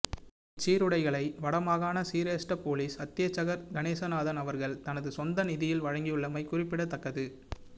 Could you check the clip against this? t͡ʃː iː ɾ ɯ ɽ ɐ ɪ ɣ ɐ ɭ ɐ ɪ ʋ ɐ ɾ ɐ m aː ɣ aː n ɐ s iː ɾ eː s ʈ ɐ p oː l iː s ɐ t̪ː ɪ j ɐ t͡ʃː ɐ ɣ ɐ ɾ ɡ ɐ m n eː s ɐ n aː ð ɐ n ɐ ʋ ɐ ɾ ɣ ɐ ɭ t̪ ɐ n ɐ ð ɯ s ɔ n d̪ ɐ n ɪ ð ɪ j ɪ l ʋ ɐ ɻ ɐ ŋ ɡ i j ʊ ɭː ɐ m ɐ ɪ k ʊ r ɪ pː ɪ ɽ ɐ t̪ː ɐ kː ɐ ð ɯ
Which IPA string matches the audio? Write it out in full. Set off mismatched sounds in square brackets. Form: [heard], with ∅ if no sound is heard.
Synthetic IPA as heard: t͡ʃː iː ɾ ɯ ɽ ɐ ɪ ɣ ɐ ɭ ɐ ɪ ʋ ɐ [ɽ] ɐ m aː ɣ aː n ɐ s iː ɾ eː s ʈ ɐ p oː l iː s ɐ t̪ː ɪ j ɐ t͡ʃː ɐ ɣ ɐ ɾ ɡ ɐ [∅] n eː s ɐ n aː ð ɐ n ɐ ʋ ɐ ɾ ɣ ɐ ɭ t̪ ɐ n ɐ ð ɯ s ɔ n d̪ ɐ n ɪ ð ɪ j ɪ l ʋ ɐ ɻ ɐ ŋ ɡ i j [ɯ] ɭː ɐ m ɐ ɪ k ʊ r ɪ pː ɪ ɽ ɐ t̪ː ɐ kː ɐ ð ɯ